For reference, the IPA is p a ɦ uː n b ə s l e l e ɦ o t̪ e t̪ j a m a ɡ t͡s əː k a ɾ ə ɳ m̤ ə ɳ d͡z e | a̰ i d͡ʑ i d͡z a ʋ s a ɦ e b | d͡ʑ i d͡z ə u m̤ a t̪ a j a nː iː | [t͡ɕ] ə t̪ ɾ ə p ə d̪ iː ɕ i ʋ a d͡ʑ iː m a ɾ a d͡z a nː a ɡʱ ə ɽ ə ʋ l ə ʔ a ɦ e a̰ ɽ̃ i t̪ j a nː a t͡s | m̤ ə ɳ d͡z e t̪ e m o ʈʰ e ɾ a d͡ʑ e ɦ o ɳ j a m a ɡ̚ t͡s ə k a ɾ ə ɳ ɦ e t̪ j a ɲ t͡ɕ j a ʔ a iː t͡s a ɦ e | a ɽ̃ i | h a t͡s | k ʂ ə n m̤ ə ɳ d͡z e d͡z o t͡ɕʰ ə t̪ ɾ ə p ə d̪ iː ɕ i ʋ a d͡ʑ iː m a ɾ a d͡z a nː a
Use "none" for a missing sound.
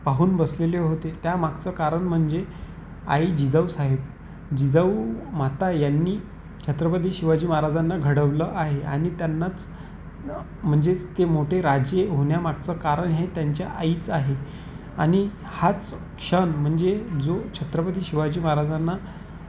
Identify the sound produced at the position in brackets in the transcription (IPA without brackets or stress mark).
t͡ɕʰ